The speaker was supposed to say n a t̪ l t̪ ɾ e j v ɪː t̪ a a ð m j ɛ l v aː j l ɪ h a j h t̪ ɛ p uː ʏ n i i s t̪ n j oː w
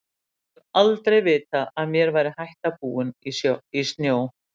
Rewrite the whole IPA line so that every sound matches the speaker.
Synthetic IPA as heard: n a l t̪ ɾ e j v ɪː t̪ a a ð m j ɛ ɾ v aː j ɾ ɪ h a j h t̪ a p uː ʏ n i i s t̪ n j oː w